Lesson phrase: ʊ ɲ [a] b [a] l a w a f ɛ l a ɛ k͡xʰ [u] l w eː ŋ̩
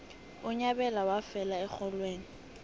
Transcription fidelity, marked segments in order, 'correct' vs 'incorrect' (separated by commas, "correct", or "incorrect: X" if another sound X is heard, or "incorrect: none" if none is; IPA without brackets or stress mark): correct, incorrect: ɛ, incorrect: ɔ